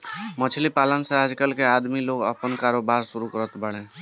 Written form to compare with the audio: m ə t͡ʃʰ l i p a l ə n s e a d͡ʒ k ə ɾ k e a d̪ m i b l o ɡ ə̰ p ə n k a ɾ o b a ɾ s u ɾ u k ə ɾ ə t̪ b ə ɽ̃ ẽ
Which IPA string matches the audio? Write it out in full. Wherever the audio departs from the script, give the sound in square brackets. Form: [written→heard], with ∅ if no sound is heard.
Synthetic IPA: m ə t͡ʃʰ l i p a l ə n s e a d͡ʒ k ə [ɾ→l] k e a d̪ m i [b→∅] l o ɡ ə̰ p ə n k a ɾ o b a ɾ s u ɾ u k ə ɾ ə t̪ b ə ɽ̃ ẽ